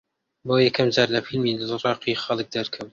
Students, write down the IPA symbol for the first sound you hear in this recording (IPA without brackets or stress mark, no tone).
b